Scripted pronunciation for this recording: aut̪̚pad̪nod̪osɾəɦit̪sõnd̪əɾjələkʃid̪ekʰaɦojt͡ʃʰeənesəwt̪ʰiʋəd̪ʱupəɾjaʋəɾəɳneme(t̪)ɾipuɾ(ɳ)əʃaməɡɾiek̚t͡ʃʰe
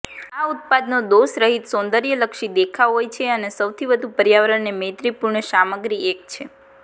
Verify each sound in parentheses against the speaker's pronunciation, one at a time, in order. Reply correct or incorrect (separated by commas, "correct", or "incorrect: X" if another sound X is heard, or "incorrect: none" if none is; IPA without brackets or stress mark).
correct, correct